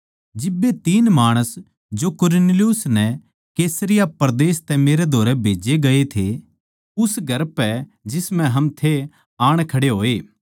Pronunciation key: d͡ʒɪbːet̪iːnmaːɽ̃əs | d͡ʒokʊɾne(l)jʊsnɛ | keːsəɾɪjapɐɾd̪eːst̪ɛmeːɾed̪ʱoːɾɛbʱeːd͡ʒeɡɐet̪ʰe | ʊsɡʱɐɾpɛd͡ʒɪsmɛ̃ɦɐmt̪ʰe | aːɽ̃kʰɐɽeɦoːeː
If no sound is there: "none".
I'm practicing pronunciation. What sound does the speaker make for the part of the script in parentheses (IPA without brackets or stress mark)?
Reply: l